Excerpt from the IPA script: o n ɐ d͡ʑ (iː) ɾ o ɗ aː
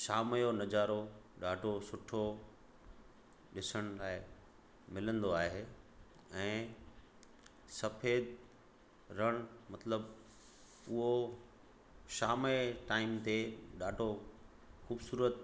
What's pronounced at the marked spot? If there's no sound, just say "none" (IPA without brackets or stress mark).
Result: aː